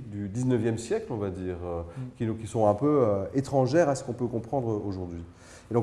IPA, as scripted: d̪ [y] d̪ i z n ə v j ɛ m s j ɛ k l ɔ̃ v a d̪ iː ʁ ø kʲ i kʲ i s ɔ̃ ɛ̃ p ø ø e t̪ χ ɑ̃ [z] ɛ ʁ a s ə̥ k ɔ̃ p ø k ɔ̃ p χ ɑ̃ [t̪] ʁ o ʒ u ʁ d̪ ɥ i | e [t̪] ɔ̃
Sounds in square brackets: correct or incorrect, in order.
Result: correct, incorrect, incorrect, incorrect

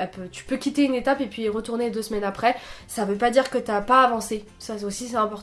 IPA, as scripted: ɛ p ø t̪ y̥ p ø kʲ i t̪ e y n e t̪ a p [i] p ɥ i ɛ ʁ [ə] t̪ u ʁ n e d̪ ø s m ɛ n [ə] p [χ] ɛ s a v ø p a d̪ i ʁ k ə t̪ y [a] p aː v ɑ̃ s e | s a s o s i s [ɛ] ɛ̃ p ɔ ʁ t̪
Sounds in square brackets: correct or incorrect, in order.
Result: incorrect, correct, incorrect, correct, correct, correct

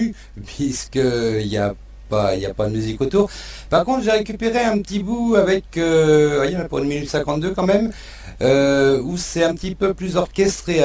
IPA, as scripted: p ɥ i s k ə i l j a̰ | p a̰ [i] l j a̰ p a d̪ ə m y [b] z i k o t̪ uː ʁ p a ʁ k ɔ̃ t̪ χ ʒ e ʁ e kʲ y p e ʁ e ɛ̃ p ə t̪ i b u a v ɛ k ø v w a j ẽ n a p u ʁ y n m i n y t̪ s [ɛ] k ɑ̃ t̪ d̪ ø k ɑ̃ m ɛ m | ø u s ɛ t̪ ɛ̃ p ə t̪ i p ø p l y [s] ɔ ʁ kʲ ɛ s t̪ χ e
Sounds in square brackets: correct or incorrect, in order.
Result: correct, incorrect, incorrect, incorrect

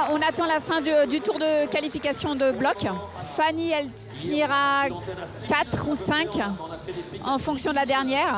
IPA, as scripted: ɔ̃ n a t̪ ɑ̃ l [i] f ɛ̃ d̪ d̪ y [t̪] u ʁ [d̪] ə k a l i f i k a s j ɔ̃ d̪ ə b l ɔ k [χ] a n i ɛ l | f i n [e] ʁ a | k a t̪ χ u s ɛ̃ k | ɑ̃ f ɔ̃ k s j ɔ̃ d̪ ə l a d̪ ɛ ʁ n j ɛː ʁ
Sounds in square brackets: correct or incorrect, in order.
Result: incorrect, correct, correct, incorrect, incorrect

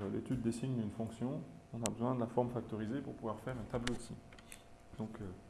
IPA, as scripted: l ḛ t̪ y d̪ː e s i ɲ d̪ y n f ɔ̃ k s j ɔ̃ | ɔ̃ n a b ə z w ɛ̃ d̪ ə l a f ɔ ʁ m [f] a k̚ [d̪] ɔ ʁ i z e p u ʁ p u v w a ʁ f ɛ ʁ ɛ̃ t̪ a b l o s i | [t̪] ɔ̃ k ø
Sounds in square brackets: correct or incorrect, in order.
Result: correct, incorrect, incorrect

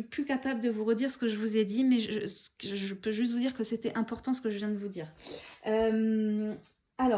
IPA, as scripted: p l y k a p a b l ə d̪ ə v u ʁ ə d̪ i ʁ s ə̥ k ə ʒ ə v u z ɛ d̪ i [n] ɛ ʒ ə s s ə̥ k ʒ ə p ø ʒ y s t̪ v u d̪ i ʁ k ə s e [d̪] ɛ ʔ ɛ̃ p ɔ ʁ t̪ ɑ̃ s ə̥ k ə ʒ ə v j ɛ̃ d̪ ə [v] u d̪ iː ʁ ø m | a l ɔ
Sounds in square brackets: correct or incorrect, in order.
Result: incorrect, incorrect, correct

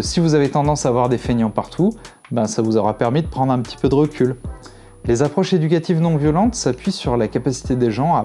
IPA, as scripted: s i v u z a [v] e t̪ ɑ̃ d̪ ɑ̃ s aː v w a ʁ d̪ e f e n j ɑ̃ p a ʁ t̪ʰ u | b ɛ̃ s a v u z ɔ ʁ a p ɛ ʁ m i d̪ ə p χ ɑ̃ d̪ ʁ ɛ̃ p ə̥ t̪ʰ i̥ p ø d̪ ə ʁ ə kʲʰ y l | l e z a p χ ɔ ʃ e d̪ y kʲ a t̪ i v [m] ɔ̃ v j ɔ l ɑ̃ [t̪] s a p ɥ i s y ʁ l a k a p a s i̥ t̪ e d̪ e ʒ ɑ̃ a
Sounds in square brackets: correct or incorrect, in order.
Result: correct, incorrect, correct

